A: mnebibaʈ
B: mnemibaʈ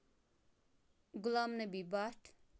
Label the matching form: A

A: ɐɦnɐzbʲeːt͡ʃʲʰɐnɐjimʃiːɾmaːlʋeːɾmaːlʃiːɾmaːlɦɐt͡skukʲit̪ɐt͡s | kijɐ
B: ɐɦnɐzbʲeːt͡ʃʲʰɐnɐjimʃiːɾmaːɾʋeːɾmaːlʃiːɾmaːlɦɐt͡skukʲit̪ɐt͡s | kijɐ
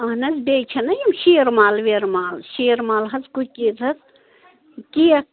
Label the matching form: A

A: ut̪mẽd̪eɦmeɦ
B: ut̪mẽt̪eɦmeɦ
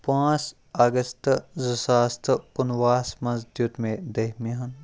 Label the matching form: A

